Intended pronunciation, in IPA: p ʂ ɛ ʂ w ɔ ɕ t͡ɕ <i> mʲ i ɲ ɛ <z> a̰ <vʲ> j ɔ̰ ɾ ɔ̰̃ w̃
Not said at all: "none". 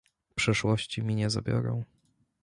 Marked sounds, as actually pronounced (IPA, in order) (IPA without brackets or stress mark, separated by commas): i, z, bʲ